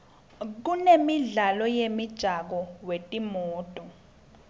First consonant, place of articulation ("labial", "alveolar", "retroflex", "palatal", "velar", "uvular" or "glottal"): velar